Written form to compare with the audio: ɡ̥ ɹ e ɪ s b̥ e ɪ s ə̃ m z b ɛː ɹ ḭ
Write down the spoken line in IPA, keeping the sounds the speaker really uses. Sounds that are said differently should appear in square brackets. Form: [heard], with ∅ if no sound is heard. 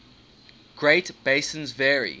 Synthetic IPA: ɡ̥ ɹ e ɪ [t] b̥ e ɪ s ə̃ [n] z [v] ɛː ɹ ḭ